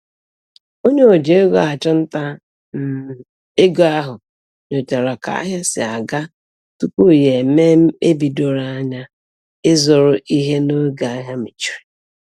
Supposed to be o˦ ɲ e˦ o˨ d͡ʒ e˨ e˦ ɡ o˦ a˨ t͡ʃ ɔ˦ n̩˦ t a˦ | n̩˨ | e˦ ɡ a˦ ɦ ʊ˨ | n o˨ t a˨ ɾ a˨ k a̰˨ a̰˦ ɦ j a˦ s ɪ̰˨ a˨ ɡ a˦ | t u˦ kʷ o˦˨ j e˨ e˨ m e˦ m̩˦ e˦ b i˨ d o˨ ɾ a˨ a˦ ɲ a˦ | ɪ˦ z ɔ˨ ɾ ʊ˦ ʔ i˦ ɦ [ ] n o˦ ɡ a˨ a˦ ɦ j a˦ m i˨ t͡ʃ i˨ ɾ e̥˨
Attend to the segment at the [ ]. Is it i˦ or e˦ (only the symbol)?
e˦